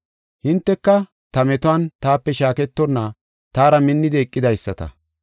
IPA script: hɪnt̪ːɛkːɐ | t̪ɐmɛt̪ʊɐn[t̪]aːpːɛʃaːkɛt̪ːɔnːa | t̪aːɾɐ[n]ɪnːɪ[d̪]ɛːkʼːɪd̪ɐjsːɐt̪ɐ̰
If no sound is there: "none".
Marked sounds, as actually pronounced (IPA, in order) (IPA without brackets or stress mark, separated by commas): t̪, m, d̪